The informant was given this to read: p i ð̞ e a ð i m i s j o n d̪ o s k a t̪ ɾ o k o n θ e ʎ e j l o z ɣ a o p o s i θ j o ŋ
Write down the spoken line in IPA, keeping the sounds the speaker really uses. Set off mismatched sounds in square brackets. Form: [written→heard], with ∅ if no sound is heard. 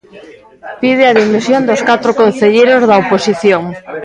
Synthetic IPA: p i ð̞ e a ð i m i s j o n d̪ o s k a t̪ ɾ o k o n θ e ʎ e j [l→ɾ] o z [ɣ→ð] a o p o s i θ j o ŋ